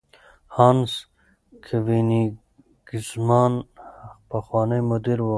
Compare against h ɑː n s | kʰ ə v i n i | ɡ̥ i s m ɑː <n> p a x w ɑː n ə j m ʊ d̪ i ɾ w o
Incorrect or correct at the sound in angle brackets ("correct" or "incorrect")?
correct